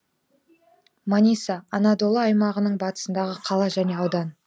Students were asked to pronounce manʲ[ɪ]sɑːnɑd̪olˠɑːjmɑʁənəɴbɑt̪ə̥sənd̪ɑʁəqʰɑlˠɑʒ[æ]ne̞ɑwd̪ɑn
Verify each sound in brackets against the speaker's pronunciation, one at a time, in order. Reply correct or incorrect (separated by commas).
incorrect, correct